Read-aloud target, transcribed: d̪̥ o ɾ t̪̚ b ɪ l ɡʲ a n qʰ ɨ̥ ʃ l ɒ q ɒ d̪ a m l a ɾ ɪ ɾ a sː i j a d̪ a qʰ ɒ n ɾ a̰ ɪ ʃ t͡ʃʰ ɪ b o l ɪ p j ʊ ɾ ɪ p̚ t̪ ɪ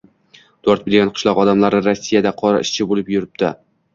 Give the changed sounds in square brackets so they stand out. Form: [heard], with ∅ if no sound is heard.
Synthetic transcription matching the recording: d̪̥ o ɾ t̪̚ b ɪ l ɡʲ a n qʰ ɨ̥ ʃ l ɒ q ɒ d̪ a m l a ɾ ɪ ɾ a sː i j a d̪ a qʰ ɒ [∅] ɾ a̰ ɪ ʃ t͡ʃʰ ɪ b o l ɪ p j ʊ ɾ ɪ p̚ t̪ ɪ